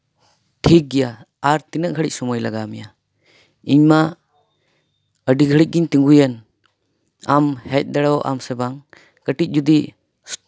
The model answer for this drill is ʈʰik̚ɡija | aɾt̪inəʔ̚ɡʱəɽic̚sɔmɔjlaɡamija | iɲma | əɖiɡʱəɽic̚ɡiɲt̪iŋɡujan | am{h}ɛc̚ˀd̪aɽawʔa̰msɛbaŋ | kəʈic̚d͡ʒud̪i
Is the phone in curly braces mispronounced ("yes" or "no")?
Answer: no